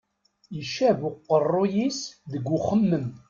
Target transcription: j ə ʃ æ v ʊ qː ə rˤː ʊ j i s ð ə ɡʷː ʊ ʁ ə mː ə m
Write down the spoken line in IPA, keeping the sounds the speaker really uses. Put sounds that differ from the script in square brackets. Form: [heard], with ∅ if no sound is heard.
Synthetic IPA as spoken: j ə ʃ æ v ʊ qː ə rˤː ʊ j i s ð ə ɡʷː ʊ [χ] ə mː ə m